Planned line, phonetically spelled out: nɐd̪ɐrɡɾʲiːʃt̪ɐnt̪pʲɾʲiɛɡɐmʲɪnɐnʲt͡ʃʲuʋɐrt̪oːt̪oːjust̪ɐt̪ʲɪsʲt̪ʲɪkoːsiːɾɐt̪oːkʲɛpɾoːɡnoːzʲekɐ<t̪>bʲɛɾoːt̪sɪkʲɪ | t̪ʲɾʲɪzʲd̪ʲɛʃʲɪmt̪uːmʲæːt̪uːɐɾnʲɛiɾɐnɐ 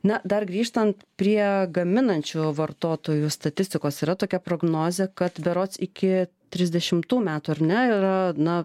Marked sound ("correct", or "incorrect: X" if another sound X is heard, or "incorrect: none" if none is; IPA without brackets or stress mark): correct